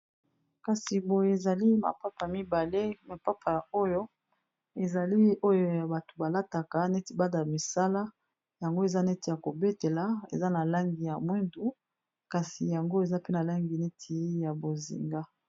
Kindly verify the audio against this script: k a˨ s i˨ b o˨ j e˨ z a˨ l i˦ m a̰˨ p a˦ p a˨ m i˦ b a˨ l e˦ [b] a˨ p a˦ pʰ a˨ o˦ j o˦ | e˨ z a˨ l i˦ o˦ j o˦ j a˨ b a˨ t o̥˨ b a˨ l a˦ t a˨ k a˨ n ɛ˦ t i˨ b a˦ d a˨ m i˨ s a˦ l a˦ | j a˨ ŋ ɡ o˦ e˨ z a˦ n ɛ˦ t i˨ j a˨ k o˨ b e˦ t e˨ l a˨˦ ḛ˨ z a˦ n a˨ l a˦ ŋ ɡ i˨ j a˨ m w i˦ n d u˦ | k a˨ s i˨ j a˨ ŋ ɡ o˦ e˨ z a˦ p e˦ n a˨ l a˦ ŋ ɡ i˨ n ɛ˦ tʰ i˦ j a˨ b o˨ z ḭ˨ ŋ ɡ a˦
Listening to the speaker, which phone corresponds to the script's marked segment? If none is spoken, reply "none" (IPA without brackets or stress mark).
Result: m